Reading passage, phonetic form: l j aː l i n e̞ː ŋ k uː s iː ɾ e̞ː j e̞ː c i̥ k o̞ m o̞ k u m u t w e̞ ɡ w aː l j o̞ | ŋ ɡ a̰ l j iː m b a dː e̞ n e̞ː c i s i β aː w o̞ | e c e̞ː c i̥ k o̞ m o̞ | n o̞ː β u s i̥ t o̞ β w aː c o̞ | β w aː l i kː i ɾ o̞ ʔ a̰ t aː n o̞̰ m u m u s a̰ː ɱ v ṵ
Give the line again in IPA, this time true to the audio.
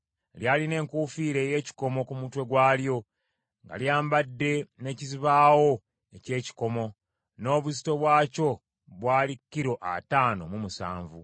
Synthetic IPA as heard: l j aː l i n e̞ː ŋ k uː f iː ɾ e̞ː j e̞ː c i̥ k o̞ m o̞ k u m u t w e̞ ɡ w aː l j o̞ | ŋ ɡ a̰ l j aː m b a dː e̞ n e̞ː c i z i β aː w o̞ | e c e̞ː c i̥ k o̞ m o̞ | n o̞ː β u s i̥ t o̞ β w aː c o̞ | β w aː l i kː i ɾ o̞ ʔ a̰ t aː n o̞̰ m u m u s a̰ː ɱ v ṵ